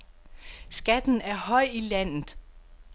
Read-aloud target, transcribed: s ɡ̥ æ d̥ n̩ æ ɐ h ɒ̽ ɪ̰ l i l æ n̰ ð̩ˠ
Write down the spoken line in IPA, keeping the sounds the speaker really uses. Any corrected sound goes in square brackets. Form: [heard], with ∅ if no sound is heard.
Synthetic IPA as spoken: s ɡ̥ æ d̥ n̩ æ ɐ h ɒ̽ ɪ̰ [∅] i l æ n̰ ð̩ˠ